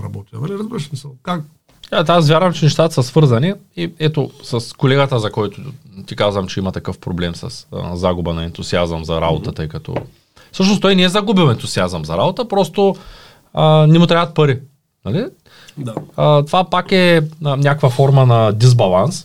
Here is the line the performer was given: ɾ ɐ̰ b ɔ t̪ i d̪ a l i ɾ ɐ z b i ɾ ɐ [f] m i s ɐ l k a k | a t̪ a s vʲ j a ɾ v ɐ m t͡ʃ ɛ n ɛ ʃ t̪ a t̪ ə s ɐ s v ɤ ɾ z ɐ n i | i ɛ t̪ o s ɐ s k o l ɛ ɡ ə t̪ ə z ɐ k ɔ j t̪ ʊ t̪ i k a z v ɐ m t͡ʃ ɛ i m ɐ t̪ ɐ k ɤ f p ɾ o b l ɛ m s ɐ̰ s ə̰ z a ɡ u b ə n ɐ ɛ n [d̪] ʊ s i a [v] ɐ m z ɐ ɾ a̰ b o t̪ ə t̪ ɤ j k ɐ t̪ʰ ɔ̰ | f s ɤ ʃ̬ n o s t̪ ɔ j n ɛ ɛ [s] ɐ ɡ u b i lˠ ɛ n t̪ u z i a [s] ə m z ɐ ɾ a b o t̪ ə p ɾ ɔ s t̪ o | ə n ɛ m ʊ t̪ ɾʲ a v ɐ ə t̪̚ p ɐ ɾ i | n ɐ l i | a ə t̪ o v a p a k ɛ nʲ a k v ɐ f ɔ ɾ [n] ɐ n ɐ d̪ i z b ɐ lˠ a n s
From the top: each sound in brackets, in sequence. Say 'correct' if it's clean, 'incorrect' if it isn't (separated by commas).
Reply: incorrect, incorrect, incorrect, incorrect, incorrect, incorrect